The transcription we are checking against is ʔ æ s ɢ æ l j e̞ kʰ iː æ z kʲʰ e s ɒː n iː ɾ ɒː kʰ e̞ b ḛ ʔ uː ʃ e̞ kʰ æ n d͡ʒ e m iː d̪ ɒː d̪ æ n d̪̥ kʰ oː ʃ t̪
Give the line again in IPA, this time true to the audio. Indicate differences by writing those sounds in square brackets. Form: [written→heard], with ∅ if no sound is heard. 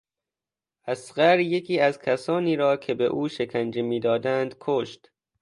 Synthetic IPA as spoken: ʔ æ s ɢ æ [l→ɾ] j e̞ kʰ iː æ z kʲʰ [e→æ] s ɒː n iː ɾ ɒː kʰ e̞ b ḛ ʔ uː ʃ e̞ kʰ æ n d͡ʒ e m iː d̪ ɒː d̪ æ n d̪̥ kʰ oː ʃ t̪